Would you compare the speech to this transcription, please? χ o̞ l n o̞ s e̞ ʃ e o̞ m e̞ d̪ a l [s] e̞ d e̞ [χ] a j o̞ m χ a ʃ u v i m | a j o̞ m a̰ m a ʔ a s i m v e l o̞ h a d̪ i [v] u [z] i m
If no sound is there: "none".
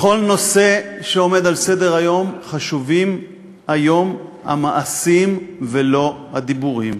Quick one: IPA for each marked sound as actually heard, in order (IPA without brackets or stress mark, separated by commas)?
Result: s, ʁ, b, ʁ